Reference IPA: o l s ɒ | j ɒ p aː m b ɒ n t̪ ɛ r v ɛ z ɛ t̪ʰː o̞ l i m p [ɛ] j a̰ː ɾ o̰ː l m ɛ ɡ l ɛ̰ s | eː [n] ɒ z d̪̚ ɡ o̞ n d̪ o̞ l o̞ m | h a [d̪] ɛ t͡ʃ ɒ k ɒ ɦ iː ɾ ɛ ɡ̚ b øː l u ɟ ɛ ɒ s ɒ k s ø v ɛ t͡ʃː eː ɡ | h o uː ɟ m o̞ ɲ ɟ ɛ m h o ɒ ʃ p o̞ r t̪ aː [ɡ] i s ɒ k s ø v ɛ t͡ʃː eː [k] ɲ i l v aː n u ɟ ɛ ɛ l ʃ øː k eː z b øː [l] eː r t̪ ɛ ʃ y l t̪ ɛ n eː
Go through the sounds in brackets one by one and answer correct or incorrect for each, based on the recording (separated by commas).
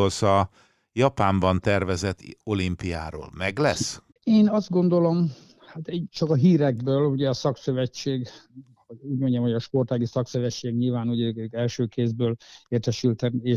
incorrect, correct, incorrect, correct, incorrect, correct